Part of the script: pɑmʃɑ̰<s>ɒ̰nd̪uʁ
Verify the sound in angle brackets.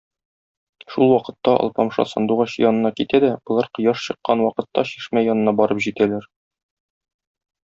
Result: correct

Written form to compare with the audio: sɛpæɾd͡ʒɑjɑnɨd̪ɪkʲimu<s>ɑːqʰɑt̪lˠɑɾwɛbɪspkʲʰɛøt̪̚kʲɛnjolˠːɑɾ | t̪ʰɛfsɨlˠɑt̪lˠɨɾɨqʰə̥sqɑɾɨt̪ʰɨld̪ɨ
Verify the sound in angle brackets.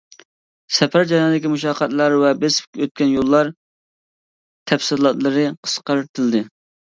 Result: incorrect: ʃ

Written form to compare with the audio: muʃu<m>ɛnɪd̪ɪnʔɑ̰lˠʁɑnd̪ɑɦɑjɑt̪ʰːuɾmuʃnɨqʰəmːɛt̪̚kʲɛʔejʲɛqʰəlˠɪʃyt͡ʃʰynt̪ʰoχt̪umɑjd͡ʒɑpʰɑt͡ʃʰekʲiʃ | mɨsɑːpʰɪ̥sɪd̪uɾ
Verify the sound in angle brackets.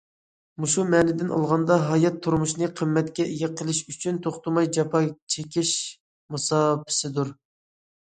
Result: correct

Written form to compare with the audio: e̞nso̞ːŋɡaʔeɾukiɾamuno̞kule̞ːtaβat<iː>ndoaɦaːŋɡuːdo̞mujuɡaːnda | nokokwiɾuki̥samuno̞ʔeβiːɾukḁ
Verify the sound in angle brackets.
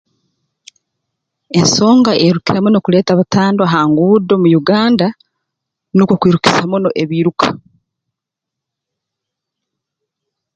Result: incorrect: aː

